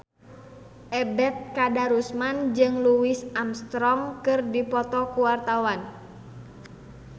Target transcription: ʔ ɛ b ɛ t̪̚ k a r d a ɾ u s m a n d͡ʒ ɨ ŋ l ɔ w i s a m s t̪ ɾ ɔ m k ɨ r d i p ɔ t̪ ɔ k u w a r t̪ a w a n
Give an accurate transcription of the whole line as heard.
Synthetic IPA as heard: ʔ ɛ b ɛ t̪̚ k a d a ɾ u s m a n d͡ʒ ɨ ŋ l u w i s a m s t̪ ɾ ɔ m k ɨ r d i p ɔ t̪ ɔ k u w a r t̪ a w a n